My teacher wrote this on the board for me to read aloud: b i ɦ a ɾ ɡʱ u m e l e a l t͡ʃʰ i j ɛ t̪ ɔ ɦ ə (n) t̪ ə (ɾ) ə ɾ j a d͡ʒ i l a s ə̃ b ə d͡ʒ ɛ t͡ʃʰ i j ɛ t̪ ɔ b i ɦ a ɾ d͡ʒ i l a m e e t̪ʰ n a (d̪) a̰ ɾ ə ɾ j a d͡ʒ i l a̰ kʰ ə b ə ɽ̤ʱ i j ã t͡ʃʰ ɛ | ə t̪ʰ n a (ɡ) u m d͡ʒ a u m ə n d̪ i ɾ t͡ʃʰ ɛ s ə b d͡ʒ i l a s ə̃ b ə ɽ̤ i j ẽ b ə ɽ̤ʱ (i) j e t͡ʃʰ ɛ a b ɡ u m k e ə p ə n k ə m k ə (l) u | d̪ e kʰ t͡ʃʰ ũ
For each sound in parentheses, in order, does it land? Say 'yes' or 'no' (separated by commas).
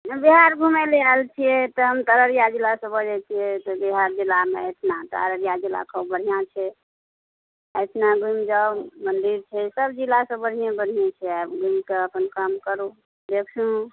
no, yes, no, yes, yes, no